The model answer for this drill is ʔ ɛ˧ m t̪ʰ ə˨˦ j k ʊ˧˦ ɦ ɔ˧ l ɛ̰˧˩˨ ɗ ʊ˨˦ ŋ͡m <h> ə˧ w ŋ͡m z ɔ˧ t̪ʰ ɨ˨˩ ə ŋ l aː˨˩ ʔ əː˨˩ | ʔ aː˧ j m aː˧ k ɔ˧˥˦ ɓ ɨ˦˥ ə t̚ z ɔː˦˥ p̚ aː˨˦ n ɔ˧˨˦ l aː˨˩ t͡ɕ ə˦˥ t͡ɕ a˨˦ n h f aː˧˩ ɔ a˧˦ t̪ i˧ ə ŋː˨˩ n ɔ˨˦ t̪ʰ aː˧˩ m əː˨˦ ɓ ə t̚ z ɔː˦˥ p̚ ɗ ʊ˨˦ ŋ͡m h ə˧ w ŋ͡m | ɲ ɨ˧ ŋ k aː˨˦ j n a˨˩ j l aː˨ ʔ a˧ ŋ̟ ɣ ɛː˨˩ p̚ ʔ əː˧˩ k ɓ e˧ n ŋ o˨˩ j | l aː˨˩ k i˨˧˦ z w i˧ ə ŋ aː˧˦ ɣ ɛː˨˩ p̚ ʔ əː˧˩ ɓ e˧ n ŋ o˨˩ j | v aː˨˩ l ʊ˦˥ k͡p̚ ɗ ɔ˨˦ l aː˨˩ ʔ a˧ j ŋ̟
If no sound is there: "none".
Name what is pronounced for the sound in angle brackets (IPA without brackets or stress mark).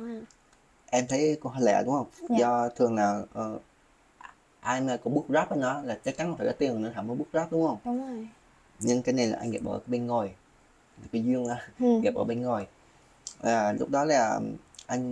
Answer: h